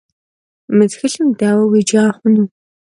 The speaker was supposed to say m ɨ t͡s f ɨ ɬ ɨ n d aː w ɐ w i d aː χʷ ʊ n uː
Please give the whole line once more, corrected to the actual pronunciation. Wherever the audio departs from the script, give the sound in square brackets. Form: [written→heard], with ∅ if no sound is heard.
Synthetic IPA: m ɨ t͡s [f→x] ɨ ɬ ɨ [n→m] d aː w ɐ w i [d→d͡ʒ] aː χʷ ʊ n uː